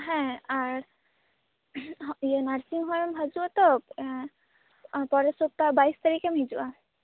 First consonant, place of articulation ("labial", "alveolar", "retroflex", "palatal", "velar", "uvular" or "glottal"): glottal